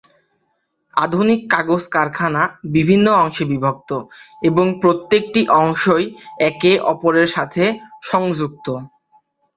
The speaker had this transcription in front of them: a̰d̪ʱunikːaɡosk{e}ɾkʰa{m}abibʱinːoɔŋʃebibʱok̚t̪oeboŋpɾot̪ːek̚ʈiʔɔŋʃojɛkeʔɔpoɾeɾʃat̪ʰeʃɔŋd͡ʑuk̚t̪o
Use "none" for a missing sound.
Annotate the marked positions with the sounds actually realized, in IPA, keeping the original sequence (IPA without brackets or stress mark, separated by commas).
a, n